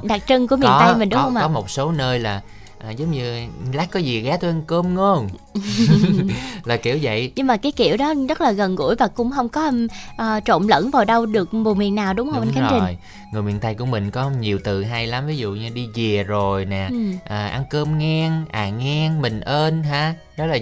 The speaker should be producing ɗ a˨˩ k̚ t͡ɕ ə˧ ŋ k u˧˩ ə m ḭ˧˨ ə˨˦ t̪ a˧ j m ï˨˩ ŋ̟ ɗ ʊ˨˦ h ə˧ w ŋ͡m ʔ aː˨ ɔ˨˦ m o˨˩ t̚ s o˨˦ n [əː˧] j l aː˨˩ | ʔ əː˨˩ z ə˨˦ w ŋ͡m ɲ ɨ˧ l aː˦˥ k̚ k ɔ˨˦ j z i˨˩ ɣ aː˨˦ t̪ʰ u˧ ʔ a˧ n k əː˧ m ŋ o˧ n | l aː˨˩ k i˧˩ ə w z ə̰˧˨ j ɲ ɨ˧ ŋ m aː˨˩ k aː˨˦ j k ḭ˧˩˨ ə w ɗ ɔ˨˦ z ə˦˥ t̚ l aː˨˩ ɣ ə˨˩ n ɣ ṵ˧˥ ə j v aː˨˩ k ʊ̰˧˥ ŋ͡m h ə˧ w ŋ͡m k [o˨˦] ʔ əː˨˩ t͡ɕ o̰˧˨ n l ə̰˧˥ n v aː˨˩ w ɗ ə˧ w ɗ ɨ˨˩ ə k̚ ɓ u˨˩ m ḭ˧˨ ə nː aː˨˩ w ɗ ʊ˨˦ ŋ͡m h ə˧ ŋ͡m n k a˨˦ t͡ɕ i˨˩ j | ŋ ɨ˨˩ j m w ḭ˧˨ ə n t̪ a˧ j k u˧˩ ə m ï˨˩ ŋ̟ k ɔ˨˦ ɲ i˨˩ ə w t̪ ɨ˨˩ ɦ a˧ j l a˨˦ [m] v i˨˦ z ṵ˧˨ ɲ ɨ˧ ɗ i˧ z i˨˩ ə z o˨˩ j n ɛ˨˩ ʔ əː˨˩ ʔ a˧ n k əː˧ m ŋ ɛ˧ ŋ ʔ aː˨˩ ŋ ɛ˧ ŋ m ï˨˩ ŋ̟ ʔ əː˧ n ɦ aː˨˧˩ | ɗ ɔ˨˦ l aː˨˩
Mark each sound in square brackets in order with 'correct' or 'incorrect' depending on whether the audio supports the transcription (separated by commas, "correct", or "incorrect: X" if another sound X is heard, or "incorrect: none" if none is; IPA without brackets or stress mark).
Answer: correct, incorrect: ɔ˨˦, correct